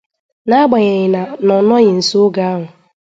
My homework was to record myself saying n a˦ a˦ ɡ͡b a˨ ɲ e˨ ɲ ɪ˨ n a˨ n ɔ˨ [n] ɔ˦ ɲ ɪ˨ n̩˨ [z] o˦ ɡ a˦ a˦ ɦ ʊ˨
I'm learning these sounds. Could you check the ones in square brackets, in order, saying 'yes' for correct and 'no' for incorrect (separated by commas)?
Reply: yes, no